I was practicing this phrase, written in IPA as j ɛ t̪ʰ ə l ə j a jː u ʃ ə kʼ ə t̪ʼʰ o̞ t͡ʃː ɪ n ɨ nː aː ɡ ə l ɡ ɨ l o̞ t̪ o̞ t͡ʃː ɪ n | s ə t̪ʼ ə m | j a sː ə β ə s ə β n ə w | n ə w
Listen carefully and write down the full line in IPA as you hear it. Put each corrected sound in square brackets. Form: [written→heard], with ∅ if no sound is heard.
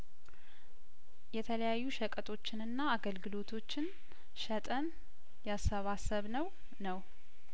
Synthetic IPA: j ɛ t̪ʰ ə l ə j a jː u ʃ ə kʼ ə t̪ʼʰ o̞ t͡ʃː ɪ n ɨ nː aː ɡ ə l ɡ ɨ l o̞ [t̪→t̪ʰ] o̞ t͡ʃː ɪ n | [s→ʃ] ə t̪ʼ ə [m→n] | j a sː ə β [ə→a] s ə β n ə w | n ə w